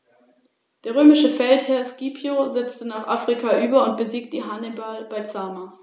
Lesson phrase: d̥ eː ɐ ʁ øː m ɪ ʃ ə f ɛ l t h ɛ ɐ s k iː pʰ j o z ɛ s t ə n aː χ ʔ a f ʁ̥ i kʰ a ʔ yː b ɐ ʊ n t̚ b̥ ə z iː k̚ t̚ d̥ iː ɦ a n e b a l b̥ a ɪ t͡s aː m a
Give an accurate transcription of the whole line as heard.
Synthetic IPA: d̥ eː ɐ ʁ øː m ɪ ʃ ə f ɛ l t h ɛ ɐ s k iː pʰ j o z ɛ t͡s t ə n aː χ ʔ a f ʁ̥ i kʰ a ʔ yː b ɐ ʊ n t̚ b̥ ə z iː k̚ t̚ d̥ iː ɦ a n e b a l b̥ a ɪ t͡s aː m a